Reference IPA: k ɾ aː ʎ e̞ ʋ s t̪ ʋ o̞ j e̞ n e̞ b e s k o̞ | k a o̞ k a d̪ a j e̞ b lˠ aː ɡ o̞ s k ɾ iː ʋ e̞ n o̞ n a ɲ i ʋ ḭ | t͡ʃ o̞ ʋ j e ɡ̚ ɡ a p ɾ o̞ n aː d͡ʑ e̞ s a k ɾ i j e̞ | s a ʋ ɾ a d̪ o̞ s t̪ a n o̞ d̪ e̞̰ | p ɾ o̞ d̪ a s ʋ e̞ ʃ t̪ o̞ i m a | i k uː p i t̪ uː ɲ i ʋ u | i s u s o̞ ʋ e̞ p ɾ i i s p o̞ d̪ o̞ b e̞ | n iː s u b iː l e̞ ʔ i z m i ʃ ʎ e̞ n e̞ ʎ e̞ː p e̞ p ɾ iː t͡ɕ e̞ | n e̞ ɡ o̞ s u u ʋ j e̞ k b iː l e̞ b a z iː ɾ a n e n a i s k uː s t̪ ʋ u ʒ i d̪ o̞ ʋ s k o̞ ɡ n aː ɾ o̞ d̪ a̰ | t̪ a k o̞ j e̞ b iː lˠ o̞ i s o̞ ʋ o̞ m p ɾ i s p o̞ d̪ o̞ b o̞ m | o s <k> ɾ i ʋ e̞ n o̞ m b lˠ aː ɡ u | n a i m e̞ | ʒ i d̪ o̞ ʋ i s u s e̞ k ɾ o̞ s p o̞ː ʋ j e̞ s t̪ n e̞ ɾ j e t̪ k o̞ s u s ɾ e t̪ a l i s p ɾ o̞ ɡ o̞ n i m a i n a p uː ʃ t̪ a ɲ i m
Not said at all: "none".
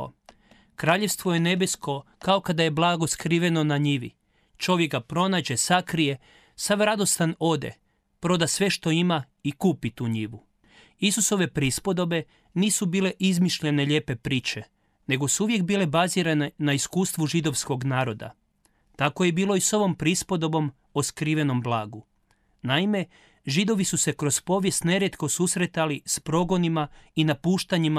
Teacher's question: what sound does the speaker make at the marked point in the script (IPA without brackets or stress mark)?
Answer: k